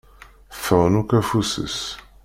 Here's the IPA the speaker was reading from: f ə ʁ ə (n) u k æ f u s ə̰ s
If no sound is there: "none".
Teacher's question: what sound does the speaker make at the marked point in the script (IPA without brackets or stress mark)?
n